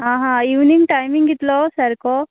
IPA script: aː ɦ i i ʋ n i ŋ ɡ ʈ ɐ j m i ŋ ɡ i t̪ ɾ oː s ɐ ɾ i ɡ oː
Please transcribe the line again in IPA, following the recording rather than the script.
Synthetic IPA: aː ɦ a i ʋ n i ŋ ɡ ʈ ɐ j m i ŋ ɡ i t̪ l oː s ɐ ɾ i k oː